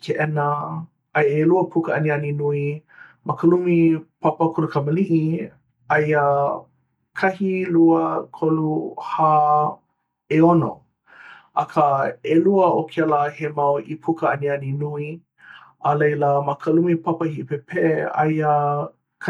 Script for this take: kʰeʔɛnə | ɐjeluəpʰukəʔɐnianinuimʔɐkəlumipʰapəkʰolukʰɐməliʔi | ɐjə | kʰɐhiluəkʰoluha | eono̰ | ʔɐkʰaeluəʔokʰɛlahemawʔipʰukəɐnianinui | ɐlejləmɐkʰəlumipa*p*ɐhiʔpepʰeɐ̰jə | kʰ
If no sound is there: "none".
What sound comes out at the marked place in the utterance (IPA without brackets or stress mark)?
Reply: p